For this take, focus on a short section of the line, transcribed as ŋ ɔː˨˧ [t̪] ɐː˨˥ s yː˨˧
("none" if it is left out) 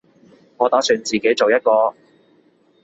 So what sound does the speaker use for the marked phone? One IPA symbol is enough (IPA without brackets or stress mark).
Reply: t̪